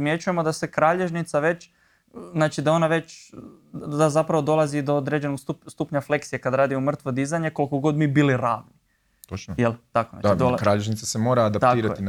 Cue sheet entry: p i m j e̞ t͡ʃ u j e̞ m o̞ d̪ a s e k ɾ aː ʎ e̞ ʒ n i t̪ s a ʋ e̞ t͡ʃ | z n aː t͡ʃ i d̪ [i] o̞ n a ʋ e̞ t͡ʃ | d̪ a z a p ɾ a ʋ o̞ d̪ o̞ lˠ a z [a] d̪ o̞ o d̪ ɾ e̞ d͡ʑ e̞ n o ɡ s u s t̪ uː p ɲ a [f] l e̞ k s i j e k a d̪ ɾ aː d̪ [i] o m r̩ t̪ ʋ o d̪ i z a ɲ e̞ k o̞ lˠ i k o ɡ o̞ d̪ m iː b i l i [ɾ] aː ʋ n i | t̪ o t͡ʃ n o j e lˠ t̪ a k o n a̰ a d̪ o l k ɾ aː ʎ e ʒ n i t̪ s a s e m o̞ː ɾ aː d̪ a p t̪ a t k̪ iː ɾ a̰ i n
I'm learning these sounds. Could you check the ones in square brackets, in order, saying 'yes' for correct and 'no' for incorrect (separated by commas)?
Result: no, no, yes, yes, yes